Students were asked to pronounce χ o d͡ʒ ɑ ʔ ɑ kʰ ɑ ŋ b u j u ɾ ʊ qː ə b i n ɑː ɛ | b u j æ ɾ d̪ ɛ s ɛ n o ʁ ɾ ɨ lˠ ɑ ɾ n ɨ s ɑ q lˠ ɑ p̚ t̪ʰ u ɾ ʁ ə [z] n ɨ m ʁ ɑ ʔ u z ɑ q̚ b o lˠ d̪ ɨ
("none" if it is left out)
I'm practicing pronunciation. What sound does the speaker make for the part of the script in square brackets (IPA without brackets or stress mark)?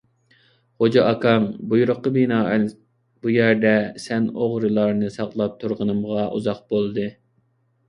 none